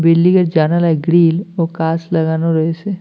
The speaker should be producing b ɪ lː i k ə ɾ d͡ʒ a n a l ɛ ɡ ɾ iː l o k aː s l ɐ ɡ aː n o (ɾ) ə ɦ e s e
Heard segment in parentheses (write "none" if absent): ɾ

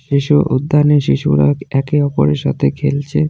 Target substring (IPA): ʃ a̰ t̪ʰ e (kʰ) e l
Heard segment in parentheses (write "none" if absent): kʰ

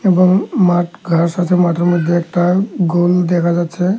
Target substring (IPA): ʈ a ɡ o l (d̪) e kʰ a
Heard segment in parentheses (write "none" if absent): d̪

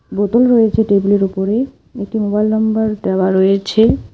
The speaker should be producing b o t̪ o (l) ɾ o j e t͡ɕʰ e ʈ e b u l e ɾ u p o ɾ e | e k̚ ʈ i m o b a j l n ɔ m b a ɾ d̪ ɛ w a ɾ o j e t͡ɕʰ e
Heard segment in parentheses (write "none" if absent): l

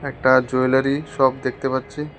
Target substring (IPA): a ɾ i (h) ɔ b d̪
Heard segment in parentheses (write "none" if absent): ʃ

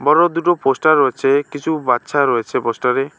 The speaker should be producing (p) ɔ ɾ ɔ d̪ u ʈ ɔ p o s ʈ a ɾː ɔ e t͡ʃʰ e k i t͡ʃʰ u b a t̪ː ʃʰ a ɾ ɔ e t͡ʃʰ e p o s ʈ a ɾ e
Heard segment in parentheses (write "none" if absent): b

